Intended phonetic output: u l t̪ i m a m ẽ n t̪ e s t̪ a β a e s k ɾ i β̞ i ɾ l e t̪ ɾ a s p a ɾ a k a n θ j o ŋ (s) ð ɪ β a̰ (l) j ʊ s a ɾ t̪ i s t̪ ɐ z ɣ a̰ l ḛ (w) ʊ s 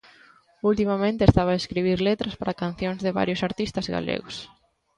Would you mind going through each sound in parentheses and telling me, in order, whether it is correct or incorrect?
incorrect: z, incorrect: ɾ, incorrect: ɣ

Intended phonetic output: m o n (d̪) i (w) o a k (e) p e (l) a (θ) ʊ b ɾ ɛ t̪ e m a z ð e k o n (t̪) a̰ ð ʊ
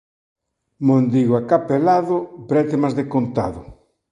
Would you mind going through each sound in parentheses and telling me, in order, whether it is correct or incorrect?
correct, incorrect: ɣ, incorrect: a, correct, incorrect: ð, correct

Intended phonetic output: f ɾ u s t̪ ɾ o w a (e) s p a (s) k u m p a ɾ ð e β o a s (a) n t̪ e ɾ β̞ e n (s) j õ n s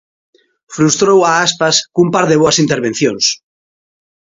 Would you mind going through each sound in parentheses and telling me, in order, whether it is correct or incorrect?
incorrect: a, correct, incorrect: i, incorrect: θ

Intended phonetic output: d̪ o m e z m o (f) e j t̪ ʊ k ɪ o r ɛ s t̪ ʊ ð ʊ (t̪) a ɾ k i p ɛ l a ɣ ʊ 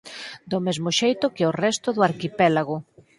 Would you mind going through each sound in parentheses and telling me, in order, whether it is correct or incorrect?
incorrect: ʃ, incorrect: none

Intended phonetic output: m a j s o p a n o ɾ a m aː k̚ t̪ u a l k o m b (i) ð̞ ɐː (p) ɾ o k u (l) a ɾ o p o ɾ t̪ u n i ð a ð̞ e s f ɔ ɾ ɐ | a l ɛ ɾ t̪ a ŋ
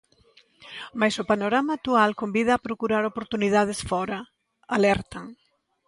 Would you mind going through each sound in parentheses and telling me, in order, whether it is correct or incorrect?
correct, correct, incorrect: ɾ

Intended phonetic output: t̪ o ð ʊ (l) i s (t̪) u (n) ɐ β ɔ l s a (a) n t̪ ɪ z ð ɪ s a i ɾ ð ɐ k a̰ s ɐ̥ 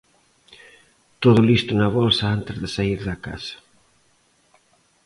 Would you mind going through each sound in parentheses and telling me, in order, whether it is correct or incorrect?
correct, correct, correct, correct

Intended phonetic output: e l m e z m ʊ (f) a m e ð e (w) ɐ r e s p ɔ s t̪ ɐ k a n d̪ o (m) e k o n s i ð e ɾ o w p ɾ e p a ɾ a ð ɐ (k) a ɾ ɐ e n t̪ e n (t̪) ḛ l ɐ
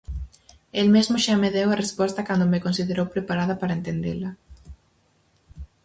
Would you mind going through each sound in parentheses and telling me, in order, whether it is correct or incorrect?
incorrect: ʃ, correct, correct, incorrect: p, incorrect: d̪

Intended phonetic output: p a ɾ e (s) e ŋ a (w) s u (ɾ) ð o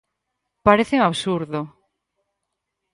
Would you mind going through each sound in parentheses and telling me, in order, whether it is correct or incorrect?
incorrect: θ, incorrect: β, correct

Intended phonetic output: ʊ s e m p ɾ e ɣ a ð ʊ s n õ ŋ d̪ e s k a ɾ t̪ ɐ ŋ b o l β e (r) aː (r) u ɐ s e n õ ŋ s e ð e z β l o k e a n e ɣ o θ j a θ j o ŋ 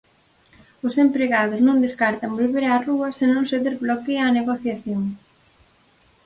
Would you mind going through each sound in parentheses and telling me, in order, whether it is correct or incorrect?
incorrect: ɾ, correct

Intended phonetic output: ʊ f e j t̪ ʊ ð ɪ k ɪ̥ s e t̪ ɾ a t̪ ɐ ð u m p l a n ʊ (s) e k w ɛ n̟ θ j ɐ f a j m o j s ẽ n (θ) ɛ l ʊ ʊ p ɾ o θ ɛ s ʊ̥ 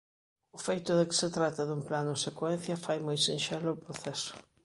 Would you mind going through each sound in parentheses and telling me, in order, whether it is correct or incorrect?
correct, incorrect: ʃ

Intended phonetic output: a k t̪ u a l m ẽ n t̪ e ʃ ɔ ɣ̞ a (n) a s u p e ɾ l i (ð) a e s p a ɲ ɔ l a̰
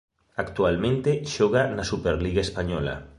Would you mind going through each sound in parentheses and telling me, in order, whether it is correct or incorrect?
correct, incorrect: ɣ

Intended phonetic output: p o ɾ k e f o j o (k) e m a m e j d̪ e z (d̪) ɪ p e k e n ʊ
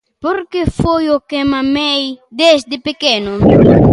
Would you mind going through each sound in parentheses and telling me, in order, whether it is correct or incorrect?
correct, correct

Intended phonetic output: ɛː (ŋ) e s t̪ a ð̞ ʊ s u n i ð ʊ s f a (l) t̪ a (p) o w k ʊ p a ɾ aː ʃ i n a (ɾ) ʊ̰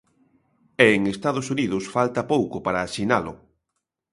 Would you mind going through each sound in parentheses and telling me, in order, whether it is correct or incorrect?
correct, correct, correct, incorrect: l

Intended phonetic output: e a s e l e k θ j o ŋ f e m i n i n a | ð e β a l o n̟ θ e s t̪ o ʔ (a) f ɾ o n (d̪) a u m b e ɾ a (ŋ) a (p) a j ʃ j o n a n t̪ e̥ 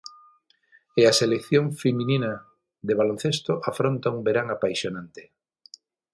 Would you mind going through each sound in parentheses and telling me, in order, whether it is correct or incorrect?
correct, incorrect: t̪, correct, correct

